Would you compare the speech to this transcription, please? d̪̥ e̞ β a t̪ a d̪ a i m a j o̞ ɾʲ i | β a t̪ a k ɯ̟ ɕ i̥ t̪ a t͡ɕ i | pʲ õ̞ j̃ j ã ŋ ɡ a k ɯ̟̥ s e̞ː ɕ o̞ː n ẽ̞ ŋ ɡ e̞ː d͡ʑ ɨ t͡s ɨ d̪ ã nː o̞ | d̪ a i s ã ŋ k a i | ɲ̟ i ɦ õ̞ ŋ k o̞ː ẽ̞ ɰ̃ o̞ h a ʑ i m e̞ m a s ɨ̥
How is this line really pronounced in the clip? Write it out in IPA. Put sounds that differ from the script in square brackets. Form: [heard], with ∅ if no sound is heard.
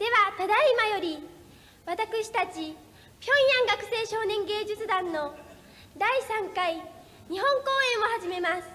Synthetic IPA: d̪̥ e̞ β a t̪ a d̪ a i m a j o̞ ɾʲ i | β a t̪ a k ɯ̟ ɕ i̥ t̪ a t͡ɕ i | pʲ õ̞ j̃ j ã ŋ ɡ a k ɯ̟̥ s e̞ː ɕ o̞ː n ẽ̞ ŋ ɡ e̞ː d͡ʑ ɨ t͡s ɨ d̪ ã nː o̞ | d̪ a i s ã ŋ k a i | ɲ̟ i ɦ õ̞ ŋ k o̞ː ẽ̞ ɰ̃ o̞ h a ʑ i m e̞ m a s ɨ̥